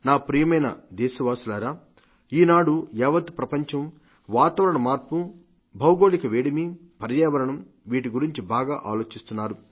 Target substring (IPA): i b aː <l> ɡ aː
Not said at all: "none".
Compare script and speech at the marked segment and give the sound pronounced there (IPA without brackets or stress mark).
none